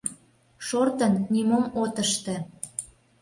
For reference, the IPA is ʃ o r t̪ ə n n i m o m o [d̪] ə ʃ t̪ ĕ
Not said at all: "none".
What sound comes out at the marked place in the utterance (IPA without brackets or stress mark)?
t̪